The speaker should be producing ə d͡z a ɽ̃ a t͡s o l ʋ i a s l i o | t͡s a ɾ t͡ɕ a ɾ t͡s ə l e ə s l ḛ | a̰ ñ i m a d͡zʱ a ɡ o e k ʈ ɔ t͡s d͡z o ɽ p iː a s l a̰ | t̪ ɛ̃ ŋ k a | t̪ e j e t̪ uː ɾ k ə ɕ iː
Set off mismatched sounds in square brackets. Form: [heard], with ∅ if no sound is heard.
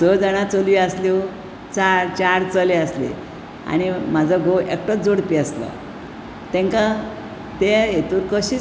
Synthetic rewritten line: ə d͡z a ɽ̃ a t͡s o l ʋ i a s l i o | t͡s a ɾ t͡ɕ a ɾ t͡s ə l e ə s l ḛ | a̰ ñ i m a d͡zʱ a ɡ o e k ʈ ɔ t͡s d͡z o ɽ p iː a s l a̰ | t̪ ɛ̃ ŋ k a | t̪ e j e t̪ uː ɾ k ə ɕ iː